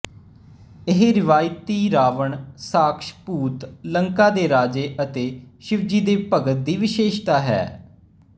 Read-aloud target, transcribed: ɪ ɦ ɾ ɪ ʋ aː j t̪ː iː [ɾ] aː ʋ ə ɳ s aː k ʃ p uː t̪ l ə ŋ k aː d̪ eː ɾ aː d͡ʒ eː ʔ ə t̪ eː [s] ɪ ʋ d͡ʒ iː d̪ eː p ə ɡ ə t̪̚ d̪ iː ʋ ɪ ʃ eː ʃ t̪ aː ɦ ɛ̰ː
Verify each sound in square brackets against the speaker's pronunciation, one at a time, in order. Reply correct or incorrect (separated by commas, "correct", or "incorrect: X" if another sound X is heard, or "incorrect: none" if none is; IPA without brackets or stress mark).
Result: correct, incorrect: ʃ